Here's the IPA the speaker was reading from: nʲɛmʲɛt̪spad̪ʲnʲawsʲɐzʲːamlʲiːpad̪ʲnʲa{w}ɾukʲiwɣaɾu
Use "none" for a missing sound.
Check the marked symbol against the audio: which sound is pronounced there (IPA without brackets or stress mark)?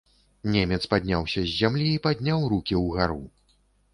w